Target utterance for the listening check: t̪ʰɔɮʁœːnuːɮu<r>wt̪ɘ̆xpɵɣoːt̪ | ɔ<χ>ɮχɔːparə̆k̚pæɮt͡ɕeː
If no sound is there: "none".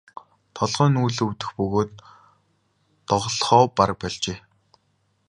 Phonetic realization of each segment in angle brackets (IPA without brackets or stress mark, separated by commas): none, ʁ